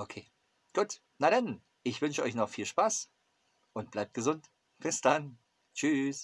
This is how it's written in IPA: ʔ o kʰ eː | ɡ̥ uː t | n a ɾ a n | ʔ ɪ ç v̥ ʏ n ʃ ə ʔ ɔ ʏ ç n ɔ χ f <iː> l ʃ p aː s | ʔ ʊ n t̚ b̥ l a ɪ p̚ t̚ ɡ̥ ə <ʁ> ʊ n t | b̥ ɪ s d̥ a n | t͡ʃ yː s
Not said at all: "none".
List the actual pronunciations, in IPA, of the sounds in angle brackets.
iː, z

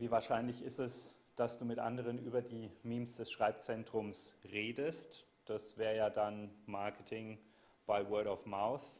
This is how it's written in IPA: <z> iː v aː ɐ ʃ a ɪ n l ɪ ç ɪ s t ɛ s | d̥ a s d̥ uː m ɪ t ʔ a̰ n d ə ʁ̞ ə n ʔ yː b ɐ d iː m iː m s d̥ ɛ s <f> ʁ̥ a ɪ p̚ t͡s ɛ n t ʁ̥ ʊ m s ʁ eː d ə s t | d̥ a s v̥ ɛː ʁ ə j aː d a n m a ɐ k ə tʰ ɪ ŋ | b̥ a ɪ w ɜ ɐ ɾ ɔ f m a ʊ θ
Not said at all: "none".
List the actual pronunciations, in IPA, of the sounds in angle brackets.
v, ʃ

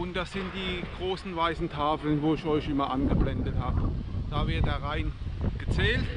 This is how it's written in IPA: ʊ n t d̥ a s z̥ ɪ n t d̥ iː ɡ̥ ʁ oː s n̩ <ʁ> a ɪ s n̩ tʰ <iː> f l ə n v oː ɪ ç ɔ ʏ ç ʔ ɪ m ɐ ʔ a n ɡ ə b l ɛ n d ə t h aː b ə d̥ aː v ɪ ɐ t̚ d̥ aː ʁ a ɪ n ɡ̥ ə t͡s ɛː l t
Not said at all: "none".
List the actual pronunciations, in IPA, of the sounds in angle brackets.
v, aː

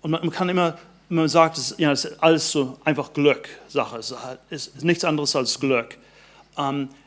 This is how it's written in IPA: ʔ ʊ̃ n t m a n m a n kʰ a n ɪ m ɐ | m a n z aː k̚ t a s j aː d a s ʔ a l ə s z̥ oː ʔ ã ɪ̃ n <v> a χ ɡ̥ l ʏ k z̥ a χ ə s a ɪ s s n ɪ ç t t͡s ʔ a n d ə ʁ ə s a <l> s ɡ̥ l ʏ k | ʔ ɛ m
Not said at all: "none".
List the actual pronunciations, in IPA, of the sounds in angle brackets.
f, l

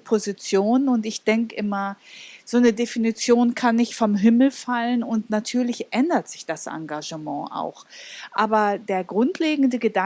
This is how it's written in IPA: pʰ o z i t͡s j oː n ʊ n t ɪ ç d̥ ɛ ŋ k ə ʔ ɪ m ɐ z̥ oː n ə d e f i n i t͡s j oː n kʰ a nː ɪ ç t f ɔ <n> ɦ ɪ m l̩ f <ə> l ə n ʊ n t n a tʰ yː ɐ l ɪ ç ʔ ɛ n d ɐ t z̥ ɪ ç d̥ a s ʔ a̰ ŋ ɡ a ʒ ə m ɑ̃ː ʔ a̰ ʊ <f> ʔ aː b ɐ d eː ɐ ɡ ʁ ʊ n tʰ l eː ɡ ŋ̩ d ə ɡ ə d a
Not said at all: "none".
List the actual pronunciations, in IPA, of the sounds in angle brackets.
m, a, x

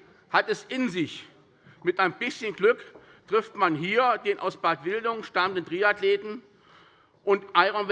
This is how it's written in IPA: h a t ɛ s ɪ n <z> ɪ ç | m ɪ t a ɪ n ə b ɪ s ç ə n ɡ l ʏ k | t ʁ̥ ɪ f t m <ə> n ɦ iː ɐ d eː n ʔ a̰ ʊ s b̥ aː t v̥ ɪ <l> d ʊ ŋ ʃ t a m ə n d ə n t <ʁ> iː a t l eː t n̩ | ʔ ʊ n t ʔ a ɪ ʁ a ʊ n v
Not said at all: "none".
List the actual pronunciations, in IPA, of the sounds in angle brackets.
z, a, l, ʁ

